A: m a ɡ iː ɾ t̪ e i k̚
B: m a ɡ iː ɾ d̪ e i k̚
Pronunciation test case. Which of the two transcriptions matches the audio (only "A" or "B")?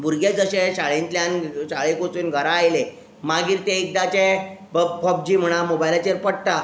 A